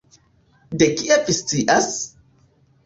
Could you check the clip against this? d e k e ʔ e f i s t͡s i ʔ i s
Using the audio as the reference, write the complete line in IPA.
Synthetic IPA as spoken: d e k i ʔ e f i s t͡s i ʔ a s